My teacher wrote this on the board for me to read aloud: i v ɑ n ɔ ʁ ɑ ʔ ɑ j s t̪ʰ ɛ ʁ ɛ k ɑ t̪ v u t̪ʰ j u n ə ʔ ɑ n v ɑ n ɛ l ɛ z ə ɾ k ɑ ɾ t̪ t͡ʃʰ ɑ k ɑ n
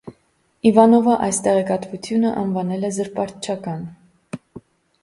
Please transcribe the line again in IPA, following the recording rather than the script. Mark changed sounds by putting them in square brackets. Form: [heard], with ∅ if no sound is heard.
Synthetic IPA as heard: i v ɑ n ɔ [v] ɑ ʔ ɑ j s [t̪] ɛ ʁ ɛ k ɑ t̪ v u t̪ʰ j u n ə ʔ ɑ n v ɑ n ɛ l ɛ z ə ɾ [p] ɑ ɾ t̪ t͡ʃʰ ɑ k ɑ n